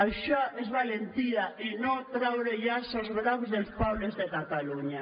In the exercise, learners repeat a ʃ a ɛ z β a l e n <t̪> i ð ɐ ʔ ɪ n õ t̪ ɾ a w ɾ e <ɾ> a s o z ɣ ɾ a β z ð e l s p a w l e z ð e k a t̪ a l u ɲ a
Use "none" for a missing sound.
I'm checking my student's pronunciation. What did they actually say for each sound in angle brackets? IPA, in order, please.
t̪, ʎ

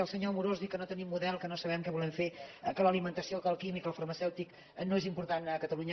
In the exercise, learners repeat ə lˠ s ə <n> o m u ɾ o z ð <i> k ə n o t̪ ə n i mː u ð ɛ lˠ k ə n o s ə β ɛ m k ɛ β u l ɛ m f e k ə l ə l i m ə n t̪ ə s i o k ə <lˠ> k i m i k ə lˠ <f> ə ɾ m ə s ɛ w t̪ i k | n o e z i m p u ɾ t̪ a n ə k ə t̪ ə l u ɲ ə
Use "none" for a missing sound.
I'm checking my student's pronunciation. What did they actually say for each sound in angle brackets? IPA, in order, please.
ɲ, i, lˠ, f

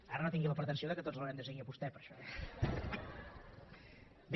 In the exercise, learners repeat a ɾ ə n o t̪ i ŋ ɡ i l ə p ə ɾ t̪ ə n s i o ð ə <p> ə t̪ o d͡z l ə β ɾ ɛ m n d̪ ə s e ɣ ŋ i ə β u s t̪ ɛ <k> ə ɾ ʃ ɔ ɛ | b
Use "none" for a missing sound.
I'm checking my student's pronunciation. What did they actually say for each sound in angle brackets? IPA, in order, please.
k, p

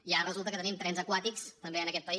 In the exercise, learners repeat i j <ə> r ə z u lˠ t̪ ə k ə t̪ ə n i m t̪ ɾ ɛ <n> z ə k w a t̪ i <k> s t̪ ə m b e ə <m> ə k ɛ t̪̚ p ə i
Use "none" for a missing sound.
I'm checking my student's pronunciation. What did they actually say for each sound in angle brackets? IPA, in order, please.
a, n, k, n

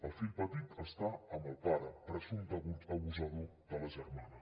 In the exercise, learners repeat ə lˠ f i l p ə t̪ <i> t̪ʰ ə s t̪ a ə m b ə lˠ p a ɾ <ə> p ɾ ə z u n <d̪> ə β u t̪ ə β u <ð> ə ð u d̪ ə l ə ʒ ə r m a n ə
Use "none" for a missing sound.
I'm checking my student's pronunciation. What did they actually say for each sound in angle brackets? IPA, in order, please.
i, ə, d̪, z

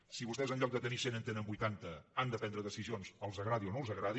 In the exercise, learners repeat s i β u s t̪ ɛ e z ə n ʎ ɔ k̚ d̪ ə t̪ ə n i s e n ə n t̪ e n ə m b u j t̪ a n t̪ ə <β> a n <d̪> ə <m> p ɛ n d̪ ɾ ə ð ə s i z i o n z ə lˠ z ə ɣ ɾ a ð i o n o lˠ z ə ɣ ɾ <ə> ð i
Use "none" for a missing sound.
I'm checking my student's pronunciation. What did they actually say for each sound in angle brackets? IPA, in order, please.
none, d̪, none, a

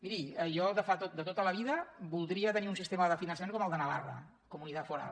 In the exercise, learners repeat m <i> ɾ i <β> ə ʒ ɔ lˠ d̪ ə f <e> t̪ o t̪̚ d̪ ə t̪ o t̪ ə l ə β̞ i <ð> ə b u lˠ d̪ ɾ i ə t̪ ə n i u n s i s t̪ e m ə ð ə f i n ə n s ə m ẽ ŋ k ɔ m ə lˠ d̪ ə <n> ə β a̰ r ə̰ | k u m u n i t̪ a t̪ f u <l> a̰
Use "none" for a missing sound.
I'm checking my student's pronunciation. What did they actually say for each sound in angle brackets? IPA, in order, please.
i, none, a, ð, n, ɾ

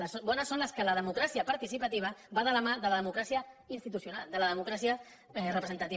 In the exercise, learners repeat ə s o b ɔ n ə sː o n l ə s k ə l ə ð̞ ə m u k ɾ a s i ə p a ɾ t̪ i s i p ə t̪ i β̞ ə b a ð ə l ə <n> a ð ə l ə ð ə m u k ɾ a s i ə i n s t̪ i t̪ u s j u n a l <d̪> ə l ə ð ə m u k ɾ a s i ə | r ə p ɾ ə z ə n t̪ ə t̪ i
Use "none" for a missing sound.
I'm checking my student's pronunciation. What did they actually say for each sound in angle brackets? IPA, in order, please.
m, d̪

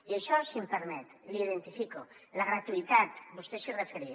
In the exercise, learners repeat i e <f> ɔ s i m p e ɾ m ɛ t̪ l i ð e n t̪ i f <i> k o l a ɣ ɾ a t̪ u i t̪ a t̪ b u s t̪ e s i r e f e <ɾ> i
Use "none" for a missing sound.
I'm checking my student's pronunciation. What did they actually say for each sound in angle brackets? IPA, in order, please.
ʃ, i, ɾ

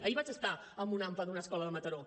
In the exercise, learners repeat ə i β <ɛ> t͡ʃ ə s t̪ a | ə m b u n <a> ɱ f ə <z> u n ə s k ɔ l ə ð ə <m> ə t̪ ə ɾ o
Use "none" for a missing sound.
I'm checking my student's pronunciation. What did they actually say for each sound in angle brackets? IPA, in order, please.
a, a, ð, m

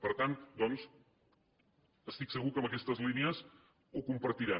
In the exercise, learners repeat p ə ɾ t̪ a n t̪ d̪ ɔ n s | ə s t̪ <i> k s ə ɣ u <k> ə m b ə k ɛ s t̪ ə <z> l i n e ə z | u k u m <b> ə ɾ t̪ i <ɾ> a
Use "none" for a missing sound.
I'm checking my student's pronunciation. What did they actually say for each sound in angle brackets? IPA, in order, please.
i, k, z, p, ɾ

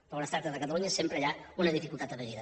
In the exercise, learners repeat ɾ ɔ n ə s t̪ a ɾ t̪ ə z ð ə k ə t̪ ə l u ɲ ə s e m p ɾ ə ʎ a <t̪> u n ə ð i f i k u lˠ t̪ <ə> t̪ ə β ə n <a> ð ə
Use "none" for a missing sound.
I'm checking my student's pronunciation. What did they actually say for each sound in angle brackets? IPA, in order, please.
none, a, i

